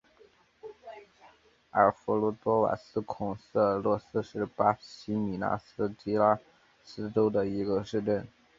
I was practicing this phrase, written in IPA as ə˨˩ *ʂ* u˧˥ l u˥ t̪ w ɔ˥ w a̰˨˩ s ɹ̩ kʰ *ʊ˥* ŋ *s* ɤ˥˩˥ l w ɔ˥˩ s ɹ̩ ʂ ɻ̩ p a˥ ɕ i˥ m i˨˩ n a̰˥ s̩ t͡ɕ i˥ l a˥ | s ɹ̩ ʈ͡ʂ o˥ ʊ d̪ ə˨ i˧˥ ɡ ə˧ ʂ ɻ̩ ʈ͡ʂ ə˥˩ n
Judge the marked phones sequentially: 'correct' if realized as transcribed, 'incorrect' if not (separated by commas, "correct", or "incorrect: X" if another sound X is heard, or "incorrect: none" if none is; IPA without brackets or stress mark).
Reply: incorrect: f, incorrect: ʊ˨˩, correct